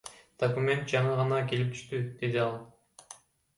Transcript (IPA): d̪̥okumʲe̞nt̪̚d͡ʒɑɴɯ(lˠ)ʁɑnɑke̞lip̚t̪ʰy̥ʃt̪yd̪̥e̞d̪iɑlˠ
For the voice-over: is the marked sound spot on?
no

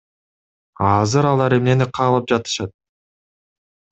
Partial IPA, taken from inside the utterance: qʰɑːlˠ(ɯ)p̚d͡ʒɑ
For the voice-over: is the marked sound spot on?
yes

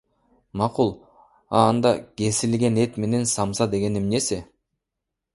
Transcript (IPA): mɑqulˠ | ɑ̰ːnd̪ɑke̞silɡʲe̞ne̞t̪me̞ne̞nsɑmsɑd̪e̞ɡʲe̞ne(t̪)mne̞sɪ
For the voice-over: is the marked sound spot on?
no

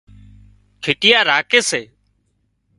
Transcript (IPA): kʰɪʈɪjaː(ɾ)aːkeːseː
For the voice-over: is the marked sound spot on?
yes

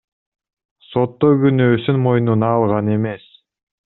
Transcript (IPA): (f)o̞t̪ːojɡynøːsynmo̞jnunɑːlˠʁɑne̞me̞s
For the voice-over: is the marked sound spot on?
no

